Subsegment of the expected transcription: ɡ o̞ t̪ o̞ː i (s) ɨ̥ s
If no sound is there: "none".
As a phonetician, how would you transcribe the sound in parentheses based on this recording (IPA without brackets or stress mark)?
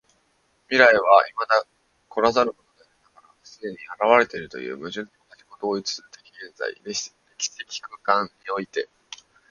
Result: t͡s